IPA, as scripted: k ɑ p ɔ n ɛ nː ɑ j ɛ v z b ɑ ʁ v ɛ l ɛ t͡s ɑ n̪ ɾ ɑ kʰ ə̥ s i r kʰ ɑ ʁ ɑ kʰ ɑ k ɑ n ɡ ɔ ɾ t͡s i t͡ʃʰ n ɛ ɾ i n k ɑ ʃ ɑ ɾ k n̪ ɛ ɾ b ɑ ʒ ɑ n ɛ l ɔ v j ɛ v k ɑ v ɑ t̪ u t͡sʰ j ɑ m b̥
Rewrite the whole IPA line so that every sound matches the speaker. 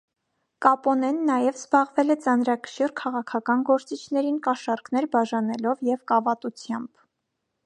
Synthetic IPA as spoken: k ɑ p ɔ n ɛ nː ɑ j ɛ v z b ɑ ʁ v ɛ l ɛ t͡s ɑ n̪ ɾ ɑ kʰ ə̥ ʃ i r kʰ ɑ ʁ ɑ kʰ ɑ k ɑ n ɡ ɔ ɾ t͡s i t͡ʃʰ n ɛ ɾ i n k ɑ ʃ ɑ ɾ k n̪ ɛ ɾ b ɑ ʒ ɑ n ɛ l ɔ v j ɛ v k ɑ v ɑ t̪ u t͡sʰ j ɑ m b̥